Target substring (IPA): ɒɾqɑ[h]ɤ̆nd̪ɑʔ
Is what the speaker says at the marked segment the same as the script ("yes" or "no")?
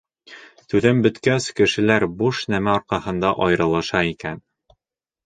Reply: yes